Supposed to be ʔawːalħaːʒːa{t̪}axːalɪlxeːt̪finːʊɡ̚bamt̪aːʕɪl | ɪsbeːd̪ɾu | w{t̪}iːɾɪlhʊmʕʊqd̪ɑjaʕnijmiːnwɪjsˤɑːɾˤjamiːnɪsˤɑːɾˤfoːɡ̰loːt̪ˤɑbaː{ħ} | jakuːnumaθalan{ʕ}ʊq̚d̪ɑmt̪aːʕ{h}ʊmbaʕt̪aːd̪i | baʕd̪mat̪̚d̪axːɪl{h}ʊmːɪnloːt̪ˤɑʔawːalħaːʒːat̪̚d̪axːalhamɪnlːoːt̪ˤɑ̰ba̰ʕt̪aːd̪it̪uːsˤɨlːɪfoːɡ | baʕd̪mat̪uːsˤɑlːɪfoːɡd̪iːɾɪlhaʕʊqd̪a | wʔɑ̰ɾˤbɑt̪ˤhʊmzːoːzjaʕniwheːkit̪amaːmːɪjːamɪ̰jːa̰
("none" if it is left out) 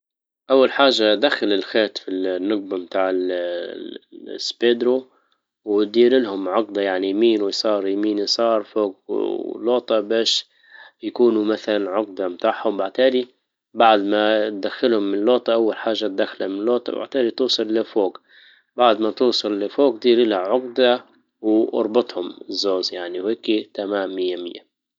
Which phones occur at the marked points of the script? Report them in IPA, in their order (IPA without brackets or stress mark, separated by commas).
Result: d̪, d̪, ʃ, ʕ, h, h